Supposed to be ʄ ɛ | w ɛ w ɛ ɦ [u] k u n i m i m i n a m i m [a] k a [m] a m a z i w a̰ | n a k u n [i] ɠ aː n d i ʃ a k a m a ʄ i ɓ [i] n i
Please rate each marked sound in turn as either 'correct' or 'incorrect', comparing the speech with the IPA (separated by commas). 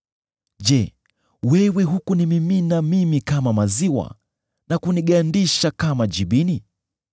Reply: correct, incorrect, correct, correct, correct